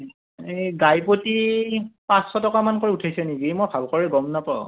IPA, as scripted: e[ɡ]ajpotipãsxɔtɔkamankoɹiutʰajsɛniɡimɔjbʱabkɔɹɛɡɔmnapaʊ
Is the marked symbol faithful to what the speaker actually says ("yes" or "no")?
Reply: yes